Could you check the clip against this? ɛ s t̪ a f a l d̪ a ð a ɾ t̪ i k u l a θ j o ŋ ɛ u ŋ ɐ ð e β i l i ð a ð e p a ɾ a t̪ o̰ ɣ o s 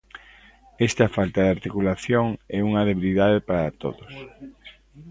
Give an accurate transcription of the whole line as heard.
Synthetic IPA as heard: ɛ s t̪ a f a l t̪ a ð a ɾ t̪ i k u l a θ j o ŋ ɛ u ŋ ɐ ð e β i l i ð a ð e p a ɾ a t̪ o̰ ð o s